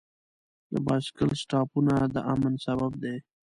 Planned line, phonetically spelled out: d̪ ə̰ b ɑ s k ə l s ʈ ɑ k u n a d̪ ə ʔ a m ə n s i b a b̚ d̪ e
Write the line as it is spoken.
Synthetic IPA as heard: d̪ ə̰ b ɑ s k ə l s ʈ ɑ p u n a d̪ ə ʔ a m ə n s a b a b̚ d̪ e